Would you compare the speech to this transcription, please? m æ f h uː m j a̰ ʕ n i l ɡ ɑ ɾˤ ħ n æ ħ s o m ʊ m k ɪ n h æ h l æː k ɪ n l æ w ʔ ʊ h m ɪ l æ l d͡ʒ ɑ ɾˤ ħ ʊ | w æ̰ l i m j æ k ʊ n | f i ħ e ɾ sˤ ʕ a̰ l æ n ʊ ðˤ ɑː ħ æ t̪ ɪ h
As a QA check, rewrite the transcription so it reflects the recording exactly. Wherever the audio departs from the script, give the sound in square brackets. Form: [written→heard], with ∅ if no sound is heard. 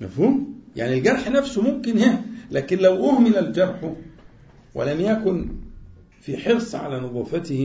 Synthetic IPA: m æ f h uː m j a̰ ʕ n i l ɡ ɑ ɾˤ ħ n æ [ħ→f] s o m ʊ m k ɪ n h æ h l æː k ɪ n l æ w ʔ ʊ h m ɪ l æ l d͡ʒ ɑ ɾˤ ħ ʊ | w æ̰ l [i→æ] m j æ k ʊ n | f i ħ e ɾ sˤ ʕ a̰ l æ n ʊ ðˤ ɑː [ħ→f] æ t̪ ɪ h